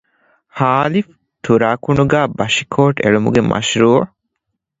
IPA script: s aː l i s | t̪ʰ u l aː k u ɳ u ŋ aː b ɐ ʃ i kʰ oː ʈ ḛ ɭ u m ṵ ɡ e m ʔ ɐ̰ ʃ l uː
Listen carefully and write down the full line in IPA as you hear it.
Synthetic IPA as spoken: h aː l i f | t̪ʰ u ɾ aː k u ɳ u ɡ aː b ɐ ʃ i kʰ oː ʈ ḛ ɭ u m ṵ ɡ e m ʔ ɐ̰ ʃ ɾ uː